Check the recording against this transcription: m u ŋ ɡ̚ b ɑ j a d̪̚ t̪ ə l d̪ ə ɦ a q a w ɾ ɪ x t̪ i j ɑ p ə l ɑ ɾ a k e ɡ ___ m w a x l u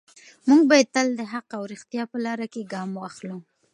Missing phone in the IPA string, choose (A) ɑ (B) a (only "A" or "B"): A